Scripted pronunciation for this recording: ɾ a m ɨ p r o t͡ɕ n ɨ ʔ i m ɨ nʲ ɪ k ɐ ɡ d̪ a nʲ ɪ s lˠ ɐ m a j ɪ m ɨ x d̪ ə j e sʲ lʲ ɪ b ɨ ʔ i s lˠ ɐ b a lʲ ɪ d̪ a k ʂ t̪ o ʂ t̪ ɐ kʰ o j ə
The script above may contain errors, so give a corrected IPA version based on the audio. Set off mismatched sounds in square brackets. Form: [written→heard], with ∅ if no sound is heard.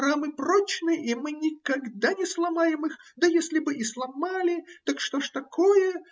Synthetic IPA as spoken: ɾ a m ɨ p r o t͡ɕ n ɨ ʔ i m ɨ nʲ ɪ k ɐ ɡ d̪ a nʲ ɪ s lˠ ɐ m a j ɪ m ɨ x d̪ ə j e sʲ lʲ ɪ b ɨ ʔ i s lˠ ɐ [b→m] a lʲ ɪ [d̪→t̪] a k ʂ t̪ o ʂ t̪ ɐ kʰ o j ə